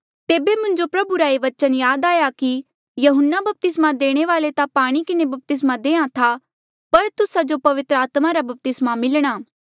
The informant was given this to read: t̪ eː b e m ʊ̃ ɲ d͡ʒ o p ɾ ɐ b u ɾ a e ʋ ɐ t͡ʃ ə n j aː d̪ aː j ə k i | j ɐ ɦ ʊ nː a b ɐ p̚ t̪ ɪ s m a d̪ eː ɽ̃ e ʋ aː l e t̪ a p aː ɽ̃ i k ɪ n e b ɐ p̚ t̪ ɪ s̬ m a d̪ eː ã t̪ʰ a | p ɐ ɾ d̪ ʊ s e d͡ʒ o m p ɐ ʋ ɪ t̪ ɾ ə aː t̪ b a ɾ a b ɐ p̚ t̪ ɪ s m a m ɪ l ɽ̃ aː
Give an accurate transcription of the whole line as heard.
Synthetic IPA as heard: t̪ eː b e m ʊ̃ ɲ d͡ʒ o p ɾ ɐ b u ɾ a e ʋ ɐ t͡ʃ ə n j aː d̪ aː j a k i | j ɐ ɦ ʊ nː a b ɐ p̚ t̪ ɪ s m a d̪ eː ɽ̃ e ʋ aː l e t̪ a p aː ɽ̃ i k ɪ n e b ɐ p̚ t̪ ɪ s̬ m a d̪ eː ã t̪ʰ a | p ɐ ɾ t̪ ʊ s a d͡ʒ o p ɐ ʋ ɪ t̪ ɾ ə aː t̪ m a ɾ a b ɐ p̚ t̪ ɪ s m a m ɪ l ɽ̃ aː